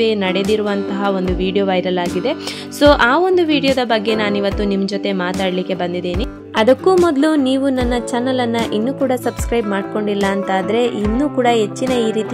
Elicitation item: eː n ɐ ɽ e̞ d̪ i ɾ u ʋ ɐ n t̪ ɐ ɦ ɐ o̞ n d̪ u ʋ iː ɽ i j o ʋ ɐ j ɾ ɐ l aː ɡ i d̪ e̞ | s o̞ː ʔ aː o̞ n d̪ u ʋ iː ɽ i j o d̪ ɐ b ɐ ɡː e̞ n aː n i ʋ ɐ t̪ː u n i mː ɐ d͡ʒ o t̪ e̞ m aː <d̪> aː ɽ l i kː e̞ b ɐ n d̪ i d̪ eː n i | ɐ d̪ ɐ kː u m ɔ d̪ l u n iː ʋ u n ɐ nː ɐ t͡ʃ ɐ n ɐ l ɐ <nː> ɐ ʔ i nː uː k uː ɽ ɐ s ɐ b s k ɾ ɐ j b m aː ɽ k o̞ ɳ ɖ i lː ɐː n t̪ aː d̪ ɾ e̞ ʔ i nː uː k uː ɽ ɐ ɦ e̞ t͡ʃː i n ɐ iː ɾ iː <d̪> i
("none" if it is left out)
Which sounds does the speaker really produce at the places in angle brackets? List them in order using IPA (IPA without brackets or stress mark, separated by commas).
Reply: t̪, nː, t̪